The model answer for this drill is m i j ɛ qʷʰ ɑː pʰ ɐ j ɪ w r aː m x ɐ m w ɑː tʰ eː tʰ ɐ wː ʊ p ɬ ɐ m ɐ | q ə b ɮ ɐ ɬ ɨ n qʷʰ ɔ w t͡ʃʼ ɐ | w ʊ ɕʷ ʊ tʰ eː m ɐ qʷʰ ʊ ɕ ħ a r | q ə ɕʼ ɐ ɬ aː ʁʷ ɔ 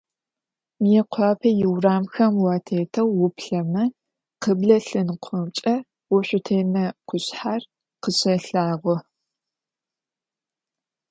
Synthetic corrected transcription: m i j ɛ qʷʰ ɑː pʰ ɐ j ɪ w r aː m x ɐ m w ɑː tʰ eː tʰ ɐ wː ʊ p ɬ ɐ m ɐ | q ə b ɮ ɐ ɬ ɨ n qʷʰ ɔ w t͡ʃʼ ɐ | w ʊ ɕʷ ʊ tʰ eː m ɐ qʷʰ ʊ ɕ ħ a r | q ə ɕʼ ɐ ɬ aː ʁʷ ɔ